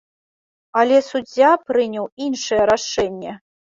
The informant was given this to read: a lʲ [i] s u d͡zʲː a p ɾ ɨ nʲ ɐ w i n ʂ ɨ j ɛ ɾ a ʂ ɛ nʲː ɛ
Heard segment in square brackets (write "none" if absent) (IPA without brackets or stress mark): ɛ